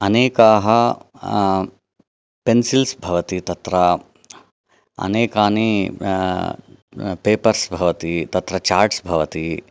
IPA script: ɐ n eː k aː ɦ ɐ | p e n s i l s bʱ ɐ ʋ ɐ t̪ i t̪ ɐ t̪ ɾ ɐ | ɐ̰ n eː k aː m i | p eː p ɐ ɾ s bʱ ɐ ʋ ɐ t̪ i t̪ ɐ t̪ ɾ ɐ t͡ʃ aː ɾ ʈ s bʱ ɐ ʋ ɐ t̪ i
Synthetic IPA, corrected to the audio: ɐ n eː k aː ɦ ɐ | p e n s i l s bʱ ɐ ʋ ɐ t̪ i t̪ ɐ t̪ ɾ ɐ | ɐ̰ n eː k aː n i | p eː p ɐ ɾ s bʱ ɐ ʋ ɐ t̪ i t̪ ɐ t̪ ɾ ɐ t͡ʃ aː ɾ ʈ s bʱ ɐ ʋ ɐ t̪ i